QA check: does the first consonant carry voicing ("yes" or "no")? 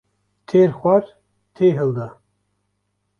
no